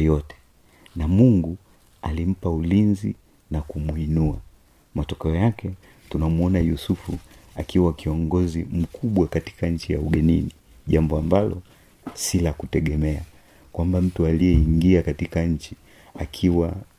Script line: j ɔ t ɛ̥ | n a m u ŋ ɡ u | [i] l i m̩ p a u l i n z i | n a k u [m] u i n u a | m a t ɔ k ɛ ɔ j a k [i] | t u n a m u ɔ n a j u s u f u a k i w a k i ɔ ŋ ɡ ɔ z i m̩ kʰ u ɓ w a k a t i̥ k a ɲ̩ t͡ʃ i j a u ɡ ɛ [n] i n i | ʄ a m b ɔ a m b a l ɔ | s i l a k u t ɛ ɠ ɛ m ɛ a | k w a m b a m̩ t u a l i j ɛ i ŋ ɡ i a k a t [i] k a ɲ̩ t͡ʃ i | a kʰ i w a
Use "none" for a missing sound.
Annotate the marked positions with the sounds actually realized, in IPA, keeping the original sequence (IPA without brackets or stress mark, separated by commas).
a, m, ɛ, n, i